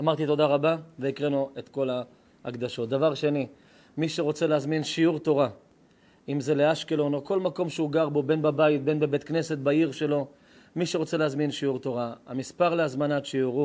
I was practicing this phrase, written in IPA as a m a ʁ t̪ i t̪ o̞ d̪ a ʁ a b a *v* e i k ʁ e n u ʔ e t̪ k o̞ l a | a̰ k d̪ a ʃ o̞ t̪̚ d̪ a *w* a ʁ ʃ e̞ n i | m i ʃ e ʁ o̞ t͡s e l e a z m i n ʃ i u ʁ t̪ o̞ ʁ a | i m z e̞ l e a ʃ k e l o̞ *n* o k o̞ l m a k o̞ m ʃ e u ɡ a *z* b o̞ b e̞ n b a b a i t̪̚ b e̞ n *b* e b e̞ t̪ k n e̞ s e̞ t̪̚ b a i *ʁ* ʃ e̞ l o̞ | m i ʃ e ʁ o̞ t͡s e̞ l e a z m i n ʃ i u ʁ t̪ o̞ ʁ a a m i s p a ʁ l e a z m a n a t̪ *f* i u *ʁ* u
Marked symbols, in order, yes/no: yes, no, yes, no, yes, yes, no, yes

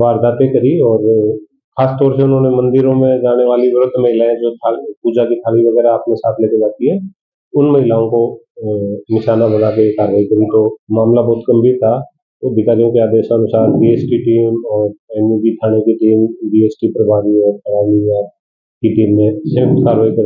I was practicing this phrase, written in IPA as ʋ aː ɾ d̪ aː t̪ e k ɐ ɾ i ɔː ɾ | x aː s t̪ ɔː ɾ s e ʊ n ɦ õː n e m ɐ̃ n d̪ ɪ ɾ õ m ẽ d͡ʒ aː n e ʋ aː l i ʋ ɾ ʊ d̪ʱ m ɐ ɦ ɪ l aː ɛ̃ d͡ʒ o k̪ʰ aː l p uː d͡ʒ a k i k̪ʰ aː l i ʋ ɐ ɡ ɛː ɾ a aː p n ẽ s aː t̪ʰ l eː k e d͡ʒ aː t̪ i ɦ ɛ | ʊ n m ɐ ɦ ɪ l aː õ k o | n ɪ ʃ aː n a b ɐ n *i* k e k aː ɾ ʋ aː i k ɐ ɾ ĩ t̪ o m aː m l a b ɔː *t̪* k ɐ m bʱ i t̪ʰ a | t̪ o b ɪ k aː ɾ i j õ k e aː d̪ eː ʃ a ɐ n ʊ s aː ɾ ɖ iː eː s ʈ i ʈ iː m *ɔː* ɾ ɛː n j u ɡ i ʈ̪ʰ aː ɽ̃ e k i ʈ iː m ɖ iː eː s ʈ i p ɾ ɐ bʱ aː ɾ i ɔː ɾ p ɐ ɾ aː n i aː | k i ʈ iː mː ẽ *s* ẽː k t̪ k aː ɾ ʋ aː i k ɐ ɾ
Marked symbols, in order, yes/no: no, yes, yes, yes

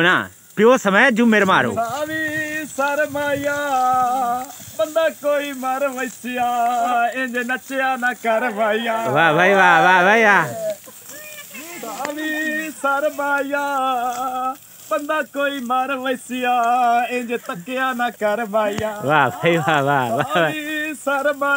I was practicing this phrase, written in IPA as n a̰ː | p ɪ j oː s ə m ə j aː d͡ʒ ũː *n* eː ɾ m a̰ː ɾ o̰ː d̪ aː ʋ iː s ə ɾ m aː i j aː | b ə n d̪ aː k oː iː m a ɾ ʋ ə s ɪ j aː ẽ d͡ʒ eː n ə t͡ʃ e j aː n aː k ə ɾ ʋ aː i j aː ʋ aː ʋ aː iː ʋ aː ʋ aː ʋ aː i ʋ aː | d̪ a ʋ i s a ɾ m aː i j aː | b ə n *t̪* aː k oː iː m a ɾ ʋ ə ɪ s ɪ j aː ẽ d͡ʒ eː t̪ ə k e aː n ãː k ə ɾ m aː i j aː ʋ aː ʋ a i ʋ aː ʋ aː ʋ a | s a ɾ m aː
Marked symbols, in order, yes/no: no, no

